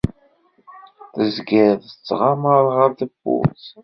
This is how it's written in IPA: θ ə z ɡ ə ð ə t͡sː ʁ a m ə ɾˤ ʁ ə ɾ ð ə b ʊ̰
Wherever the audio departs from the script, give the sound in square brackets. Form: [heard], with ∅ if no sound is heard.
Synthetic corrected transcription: θ ə z ɡ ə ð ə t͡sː ʁ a m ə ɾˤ ʁ ə ɾ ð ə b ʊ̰

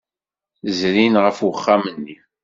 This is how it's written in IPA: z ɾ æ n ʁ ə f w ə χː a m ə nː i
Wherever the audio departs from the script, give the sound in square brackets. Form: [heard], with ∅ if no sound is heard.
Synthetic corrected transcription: z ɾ [i] n ʁ ə f w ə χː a m ə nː i

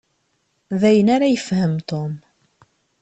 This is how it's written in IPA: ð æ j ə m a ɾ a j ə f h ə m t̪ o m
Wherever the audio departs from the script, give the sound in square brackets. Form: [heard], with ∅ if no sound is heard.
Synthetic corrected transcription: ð æ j ə [n] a ɾ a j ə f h ə m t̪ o m

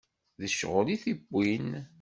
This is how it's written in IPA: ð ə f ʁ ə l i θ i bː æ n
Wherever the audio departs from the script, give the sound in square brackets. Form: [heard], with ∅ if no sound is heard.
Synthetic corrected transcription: ð ə [ʃ] ʁ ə l i θ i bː [i] n

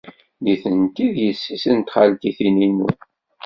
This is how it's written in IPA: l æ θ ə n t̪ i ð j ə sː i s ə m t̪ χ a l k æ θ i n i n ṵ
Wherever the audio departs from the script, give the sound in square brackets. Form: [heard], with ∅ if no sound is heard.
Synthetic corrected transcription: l [i] θ ə n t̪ i ð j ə sː i s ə [n] t̪ χ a l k [i] θ i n i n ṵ

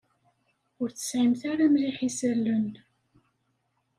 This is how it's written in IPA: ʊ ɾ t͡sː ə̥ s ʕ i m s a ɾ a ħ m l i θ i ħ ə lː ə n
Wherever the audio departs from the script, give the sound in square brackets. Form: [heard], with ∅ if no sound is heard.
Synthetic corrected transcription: ʊ ɾ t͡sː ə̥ s ʕ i m [θ] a ɾ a [∅] m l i [ħ] i [s] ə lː ə n

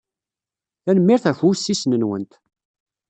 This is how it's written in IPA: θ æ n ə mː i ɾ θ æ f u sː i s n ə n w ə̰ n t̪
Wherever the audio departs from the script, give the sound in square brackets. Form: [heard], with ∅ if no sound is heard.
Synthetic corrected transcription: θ æ n ə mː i ɾ θ æ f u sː i s n ə n w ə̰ n t̪

